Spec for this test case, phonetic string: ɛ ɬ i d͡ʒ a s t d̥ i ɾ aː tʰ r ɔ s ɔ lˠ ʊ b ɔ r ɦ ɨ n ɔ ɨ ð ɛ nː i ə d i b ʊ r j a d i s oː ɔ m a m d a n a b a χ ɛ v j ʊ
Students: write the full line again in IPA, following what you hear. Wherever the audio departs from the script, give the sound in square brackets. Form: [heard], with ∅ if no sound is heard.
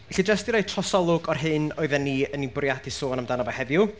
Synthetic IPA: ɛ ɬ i d͡ʒ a s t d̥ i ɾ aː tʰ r ɔ s ɔ lˠ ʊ [ɡ] ɔ r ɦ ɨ n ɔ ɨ ð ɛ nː i ə [n] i b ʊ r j a d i s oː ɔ [n] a m d a n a b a [h] ɛ v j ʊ